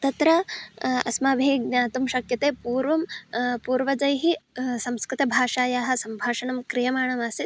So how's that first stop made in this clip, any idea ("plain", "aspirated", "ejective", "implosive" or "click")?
plain